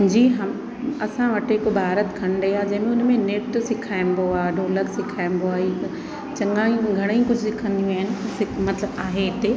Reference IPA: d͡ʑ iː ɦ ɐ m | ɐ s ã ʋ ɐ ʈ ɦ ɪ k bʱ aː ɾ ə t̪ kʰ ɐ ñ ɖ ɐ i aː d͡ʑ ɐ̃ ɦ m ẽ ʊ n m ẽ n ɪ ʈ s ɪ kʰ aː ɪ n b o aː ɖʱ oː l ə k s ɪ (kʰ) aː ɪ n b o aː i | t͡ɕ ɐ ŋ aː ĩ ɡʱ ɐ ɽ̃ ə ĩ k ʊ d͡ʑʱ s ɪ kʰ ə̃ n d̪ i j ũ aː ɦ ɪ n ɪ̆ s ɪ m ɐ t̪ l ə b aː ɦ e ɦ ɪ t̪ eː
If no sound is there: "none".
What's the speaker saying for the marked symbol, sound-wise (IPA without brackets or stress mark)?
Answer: kʰ